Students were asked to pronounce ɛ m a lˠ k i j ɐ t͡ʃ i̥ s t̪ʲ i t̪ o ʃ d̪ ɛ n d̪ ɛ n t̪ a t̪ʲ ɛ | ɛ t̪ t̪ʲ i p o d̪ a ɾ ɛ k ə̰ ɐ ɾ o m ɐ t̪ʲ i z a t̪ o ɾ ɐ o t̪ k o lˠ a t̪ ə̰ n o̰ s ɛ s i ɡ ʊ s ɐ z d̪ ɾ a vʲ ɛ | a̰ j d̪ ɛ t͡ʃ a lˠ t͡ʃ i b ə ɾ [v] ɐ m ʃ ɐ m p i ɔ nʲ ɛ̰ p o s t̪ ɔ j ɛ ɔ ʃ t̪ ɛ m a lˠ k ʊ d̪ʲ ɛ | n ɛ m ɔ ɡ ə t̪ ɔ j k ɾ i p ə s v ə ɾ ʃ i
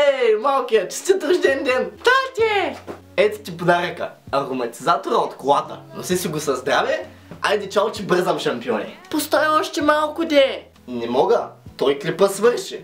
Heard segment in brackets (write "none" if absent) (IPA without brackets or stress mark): z